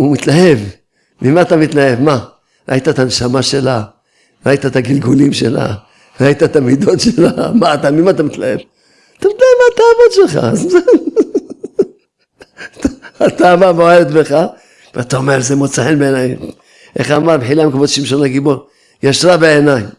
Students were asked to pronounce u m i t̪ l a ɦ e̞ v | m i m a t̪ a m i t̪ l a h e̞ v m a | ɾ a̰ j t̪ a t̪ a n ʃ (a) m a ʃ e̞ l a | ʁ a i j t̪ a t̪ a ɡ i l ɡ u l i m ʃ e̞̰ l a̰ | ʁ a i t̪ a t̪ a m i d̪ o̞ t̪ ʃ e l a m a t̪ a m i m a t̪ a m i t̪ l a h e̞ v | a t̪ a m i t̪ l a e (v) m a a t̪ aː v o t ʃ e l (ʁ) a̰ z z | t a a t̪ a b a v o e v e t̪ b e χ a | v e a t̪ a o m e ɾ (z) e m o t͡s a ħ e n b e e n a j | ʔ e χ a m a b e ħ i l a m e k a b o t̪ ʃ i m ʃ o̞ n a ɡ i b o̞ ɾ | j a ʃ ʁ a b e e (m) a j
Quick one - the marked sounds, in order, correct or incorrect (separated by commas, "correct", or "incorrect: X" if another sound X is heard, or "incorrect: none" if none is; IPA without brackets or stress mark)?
correct, correct, incorrect: χ, correct, incorrect: n